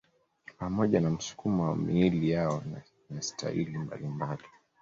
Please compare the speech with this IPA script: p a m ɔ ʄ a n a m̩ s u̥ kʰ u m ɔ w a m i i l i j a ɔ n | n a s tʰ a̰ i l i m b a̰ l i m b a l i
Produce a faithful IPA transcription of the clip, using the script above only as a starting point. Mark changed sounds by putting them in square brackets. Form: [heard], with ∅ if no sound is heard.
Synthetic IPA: p a m ɔ ʄ a n a m̩ s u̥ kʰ u m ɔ w a m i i l i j a ɔ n | n a s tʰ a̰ i l i m b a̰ l i m b a l i